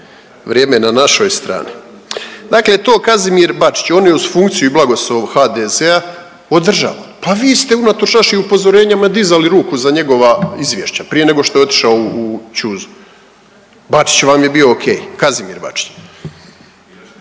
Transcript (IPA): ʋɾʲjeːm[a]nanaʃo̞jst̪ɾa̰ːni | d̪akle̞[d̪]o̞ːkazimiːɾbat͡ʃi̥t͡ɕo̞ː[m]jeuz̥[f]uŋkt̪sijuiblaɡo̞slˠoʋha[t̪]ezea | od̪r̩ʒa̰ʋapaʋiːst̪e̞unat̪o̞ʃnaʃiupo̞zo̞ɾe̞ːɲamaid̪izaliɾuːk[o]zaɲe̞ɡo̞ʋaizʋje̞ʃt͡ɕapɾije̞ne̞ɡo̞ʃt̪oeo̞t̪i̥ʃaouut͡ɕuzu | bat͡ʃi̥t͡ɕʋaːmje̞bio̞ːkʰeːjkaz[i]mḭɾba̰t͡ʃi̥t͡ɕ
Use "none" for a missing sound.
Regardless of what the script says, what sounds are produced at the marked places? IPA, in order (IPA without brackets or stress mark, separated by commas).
e, t̪, n, f, d̪, u, i